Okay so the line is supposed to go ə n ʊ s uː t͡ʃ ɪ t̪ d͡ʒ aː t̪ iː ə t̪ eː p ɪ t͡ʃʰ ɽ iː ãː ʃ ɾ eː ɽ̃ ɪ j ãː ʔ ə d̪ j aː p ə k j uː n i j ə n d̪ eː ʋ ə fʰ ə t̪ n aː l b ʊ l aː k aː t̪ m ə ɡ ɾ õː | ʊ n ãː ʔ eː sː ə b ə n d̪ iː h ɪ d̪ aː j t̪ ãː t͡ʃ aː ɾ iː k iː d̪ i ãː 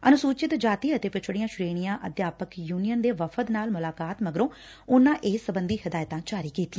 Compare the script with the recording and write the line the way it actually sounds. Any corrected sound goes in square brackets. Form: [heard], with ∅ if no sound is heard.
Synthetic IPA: ə n ʊ s uː t͡ʃ ɪ t̪ d͡ʒ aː t̪ iː ə t̪ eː p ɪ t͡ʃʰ ɽ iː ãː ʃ ɾ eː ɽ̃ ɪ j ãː ʔ ə d̪ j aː p ə k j uː n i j ə n d̪ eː ʋ ə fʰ ə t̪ n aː l [m] ʊ l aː k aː t̪ m ə ɡ ɾ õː | ʊ n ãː ʔ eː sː ə b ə n d̪ iː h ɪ d̪ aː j t̪ ãː t͡ʃ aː ɾ iː k iː [t̪] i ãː